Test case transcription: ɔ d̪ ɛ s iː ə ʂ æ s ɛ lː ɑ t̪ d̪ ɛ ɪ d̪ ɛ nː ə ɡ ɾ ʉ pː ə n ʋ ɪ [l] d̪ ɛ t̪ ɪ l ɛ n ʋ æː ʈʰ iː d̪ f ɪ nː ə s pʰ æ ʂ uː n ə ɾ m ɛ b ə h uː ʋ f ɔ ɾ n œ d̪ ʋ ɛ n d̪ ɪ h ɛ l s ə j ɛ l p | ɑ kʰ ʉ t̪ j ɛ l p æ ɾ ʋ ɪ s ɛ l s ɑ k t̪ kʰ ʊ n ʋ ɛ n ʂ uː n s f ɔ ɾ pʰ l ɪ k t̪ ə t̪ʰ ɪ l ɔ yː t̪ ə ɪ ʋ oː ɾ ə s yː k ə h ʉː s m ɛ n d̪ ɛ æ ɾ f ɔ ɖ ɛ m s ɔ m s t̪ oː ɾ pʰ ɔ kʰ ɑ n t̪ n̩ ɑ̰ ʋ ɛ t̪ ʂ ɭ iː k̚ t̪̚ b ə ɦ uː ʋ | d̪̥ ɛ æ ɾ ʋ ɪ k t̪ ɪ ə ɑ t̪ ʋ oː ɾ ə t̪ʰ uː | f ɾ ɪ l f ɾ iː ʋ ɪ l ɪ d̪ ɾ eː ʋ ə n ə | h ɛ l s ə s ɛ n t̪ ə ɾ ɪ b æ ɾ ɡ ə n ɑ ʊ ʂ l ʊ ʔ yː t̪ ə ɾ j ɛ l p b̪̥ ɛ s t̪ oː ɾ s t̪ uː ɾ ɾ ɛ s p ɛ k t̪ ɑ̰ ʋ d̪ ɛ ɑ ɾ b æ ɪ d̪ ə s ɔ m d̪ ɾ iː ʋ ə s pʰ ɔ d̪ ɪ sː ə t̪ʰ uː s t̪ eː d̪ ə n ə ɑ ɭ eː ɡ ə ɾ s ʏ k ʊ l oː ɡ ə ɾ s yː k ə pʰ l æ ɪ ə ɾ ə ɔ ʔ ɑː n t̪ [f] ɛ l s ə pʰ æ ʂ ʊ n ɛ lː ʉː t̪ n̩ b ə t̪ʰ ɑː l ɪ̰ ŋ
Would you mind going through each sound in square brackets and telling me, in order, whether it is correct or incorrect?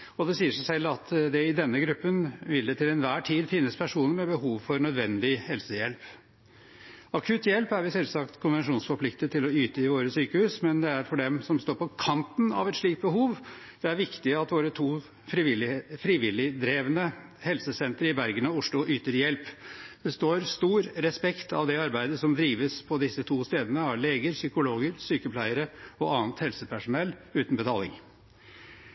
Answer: correct, incorrect: h

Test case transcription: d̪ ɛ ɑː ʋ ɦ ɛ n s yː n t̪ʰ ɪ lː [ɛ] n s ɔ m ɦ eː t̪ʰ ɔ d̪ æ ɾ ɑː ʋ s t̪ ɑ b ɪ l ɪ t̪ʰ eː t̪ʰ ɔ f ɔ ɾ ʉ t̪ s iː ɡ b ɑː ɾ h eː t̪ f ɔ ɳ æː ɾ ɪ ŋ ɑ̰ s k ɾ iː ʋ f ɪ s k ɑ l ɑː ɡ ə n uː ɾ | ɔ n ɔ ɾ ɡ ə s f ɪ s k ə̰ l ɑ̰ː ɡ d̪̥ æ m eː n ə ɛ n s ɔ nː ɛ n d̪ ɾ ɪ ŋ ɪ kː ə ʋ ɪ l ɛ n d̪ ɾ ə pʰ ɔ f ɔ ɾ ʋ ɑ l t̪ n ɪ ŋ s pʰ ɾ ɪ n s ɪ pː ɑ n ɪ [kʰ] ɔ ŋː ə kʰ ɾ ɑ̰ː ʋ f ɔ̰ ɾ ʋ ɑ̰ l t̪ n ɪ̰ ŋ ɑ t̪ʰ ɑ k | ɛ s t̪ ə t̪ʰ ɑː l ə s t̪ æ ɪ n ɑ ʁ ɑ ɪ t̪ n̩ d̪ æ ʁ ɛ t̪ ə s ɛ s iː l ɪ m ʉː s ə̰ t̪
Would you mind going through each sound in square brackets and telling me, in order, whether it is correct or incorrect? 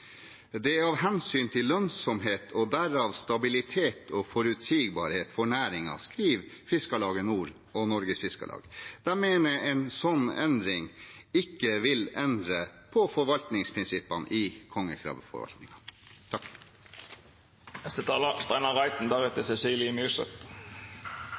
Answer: incorrect: œ, correct

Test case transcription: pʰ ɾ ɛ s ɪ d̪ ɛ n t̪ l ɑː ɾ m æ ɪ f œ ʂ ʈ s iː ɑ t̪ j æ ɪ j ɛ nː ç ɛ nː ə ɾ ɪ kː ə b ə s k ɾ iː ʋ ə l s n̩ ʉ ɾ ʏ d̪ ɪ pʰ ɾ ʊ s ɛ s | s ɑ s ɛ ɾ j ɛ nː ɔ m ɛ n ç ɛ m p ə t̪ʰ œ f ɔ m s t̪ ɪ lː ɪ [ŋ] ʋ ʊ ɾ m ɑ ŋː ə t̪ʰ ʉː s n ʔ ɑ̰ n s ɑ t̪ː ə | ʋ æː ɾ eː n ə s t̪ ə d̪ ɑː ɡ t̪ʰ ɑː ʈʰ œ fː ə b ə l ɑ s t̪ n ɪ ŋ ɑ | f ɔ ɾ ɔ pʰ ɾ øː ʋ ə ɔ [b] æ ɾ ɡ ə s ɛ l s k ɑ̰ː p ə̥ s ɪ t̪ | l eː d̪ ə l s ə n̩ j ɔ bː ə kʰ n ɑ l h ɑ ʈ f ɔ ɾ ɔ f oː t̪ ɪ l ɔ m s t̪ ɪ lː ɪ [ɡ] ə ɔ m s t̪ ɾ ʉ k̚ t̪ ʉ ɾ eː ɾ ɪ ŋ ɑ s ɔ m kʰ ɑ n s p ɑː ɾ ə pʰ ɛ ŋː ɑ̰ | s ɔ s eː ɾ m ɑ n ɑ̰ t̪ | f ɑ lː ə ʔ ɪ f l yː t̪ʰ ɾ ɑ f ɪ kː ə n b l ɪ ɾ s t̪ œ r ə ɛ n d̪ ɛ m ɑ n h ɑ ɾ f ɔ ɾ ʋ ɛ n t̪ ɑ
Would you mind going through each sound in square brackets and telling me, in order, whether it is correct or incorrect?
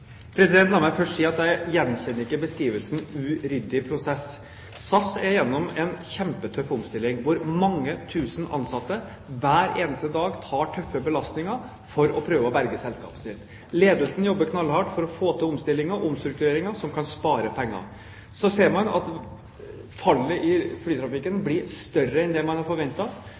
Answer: correct, correct, incorrect: ŋ

